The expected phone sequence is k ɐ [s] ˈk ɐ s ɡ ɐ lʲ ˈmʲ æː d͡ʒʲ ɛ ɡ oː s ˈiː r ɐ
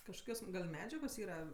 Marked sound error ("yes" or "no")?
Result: yes